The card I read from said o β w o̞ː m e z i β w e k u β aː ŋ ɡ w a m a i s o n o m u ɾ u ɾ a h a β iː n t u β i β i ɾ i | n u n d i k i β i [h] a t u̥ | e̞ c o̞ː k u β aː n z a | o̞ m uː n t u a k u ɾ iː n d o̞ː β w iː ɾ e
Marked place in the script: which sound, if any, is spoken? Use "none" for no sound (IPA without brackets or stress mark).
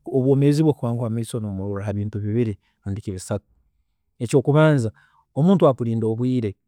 s